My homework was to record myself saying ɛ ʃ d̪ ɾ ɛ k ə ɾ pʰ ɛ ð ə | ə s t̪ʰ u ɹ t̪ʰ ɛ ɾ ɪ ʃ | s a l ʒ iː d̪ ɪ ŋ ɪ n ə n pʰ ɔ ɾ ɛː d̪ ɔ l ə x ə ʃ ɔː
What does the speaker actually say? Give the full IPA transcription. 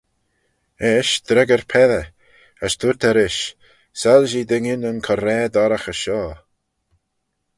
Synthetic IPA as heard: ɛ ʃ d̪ ɾ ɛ ɡ ə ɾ pʰ ɛ ð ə | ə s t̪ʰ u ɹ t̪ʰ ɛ ɾ ɪ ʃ | s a l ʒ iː d̪ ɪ ŋ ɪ n ə n kʰ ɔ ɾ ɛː d̪ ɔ ɾ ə x ə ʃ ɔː